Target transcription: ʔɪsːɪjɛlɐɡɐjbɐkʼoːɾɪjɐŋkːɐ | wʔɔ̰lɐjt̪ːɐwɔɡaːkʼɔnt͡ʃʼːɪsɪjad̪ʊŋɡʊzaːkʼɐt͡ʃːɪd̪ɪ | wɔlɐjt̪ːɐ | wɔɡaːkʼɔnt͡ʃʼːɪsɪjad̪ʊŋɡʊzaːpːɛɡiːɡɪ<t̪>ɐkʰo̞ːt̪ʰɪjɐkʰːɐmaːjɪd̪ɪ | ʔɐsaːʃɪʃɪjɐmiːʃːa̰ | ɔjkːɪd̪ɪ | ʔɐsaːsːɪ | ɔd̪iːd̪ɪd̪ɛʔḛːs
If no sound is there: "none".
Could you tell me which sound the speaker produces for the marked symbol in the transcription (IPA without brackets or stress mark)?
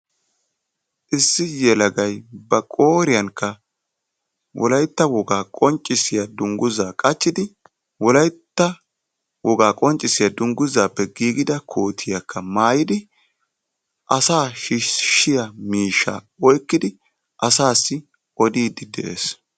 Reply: d̪